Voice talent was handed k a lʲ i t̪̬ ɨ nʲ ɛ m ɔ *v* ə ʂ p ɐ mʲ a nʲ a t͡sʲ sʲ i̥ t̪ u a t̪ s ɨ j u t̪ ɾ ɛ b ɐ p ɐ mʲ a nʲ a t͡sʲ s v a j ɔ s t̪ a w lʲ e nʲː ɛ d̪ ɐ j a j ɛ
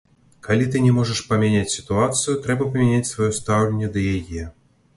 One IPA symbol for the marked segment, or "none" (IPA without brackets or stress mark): ʐ